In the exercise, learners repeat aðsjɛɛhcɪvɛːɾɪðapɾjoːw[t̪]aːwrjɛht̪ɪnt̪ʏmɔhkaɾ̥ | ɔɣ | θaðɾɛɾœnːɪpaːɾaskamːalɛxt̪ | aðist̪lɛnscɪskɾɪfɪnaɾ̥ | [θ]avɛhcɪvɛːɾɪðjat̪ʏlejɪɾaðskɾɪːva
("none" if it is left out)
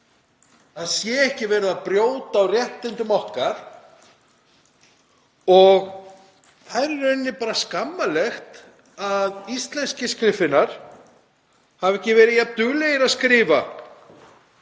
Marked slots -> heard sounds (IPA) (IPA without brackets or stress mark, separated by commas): t̪, h